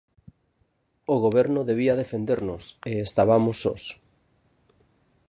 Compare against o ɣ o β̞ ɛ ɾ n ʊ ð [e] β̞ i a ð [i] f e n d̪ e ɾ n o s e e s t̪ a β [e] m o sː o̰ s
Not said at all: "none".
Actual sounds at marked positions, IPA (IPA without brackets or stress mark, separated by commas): e, e, a